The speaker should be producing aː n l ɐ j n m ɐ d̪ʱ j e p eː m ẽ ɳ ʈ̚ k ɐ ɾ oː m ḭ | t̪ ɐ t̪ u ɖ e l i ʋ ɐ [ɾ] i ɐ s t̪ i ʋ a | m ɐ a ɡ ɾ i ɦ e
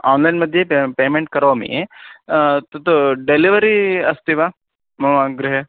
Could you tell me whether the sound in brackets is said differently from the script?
no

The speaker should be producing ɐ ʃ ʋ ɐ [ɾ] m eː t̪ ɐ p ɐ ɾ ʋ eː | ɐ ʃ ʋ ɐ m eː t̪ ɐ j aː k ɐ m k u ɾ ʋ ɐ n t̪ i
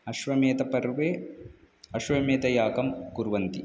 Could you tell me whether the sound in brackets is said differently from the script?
yes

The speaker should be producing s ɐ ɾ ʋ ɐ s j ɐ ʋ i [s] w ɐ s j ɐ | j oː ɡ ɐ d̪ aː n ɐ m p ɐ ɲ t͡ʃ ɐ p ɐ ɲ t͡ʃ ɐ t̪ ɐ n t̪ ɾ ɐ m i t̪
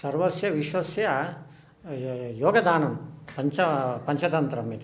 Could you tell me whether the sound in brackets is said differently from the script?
yes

